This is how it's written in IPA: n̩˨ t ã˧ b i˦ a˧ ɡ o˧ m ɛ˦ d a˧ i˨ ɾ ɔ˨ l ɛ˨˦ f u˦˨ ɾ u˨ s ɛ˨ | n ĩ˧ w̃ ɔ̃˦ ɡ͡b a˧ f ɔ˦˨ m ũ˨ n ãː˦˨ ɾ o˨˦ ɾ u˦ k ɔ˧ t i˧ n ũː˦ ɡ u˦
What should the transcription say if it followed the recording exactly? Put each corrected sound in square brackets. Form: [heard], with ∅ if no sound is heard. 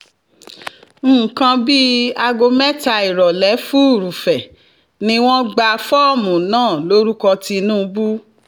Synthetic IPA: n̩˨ [k] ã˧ b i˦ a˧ ɡ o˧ m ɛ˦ [t] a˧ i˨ ɾ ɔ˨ l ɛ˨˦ f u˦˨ ɾ u˨ [f] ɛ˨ | n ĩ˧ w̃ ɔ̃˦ ɡ͡b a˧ f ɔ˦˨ m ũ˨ n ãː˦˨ [l] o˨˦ ɾ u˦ k ɔ˧ t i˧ n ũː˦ [b] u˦